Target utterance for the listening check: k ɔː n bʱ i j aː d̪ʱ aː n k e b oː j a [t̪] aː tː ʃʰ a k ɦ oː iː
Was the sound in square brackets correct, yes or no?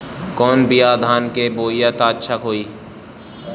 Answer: yes